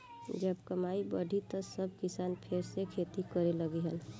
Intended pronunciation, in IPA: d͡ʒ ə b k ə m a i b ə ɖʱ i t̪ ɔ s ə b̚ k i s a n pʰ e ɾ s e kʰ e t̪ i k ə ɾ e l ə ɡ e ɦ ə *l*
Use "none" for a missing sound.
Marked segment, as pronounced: l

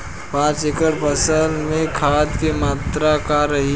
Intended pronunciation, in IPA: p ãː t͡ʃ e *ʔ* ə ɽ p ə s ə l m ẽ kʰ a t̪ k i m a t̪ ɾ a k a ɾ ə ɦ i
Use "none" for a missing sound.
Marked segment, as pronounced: k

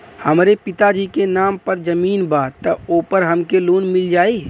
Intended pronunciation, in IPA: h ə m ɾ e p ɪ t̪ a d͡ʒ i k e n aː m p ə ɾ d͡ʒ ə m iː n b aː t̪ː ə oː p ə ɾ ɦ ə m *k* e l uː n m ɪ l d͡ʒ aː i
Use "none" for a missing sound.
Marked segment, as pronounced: k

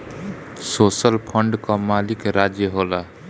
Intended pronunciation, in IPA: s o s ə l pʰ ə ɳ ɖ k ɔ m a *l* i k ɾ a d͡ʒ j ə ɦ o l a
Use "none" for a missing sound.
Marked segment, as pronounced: l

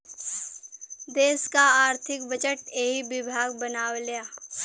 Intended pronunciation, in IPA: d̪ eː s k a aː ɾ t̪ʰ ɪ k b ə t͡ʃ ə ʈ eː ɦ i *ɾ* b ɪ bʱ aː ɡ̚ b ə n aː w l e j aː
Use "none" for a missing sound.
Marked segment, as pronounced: none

